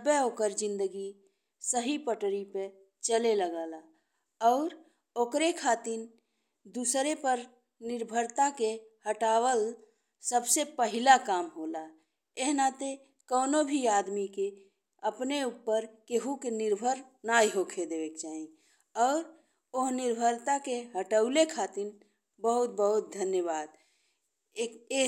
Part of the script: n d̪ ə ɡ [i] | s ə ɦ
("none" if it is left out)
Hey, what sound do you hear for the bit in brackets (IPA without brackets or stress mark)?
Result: i